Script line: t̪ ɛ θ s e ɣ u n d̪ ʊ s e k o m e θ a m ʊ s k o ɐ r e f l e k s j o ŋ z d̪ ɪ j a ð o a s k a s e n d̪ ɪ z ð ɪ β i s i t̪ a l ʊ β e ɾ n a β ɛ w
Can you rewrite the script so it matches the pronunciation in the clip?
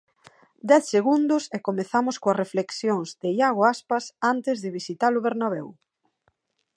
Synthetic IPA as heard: d̪ ɛ θ s e ɣ u n d̪ ʊ s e k o m e θ a m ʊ s k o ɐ r e f l e k s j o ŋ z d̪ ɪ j a ɣ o a s p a s a n t̪ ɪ z ð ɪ β i s i t̪ a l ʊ β e ɾ n a β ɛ w